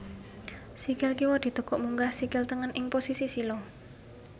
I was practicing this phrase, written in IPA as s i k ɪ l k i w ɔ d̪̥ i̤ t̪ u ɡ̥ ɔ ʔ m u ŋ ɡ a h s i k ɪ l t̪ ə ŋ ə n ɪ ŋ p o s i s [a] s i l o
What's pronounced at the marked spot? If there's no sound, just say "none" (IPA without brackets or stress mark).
i